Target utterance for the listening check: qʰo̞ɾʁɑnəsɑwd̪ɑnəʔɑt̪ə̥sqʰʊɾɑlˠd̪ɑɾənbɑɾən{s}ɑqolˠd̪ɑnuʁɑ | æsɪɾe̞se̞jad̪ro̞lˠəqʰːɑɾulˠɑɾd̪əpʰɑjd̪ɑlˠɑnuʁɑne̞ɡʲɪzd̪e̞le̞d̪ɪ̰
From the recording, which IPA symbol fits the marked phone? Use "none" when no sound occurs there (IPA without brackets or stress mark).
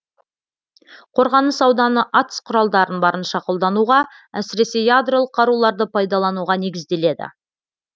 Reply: ʃ